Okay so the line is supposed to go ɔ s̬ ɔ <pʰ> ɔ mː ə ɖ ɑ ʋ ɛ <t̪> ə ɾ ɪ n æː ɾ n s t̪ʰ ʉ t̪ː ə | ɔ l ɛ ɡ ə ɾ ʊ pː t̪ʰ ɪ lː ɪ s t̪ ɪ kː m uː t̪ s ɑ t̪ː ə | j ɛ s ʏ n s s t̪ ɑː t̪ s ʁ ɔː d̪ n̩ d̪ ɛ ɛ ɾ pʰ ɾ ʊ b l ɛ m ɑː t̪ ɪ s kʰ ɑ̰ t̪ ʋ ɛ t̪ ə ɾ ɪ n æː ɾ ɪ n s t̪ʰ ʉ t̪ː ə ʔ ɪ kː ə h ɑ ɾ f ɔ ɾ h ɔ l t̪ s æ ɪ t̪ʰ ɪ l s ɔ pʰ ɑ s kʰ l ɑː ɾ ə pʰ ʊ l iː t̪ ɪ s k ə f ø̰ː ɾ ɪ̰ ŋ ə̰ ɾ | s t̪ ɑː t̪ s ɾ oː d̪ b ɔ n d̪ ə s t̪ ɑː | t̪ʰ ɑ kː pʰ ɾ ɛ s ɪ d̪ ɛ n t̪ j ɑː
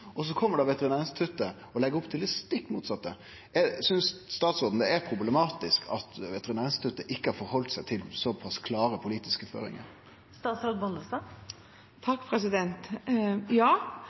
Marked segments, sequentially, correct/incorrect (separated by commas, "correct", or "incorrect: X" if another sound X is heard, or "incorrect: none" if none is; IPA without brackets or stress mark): incorrect: kʰ, correct